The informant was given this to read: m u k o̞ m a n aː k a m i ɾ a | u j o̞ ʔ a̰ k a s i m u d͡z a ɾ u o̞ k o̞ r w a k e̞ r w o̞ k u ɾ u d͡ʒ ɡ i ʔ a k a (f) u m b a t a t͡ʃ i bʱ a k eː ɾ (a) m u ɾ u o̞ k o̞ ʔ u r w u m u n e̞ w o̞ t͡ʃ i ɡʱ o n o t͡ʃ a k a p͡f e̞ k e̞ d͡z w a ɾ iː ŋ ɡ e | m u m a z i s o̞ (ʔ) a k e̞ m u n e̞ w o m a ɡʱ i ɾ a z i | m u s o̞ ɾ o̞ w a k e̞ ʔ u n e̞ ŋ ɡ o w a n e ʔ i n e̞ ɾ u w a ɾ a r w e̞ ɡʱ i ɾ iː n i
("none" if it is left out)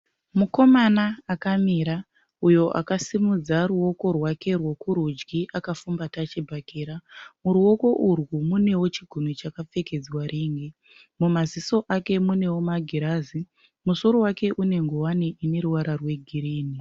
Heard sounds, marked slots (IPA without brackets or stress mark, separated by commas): f, a, ʔ